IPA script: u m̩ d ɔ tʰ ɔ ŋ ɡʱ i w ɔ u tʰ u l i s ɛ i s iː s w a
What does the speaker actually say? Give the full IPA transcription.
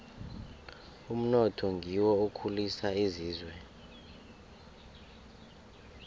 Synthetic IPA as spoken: u m̩ n ɔ tʰ ɔ ŋ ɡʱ i w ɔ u kʰ u l i s a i z iː z w ɛ